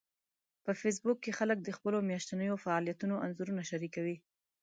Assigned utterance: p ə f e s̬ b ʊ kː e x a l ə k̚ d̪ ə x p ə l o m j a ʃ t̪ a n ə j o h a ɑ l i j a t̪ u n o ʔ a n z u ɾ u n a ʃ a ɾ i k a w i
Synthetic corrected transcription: p ə f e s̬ b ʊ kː e x a l ə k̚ d̪ ə x p ə l o m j a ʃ t̪ a n ə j o f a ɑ l i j a t̪ u n o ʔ a n z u ɾ u n a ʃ a ɾ i k a w i